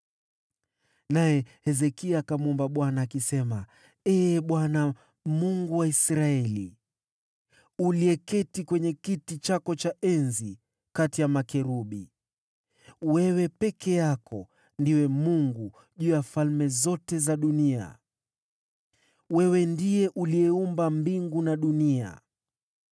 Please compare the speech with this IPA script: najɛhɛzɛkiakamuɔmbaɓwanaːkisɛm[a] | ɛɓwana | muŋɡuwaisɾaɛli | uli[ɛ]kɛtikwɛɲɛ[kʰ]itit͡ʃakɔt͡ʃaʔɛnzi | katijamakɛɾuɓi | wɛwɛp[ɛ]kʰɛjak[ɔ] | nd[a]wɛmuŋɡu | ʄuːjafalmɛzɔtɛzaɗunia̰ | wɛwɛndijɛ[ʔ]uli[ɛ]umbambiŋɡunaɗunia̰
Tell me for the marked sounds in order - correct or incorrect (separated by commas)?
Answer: correct, correct, incorrect, correct, correct, incorrect, correct, correct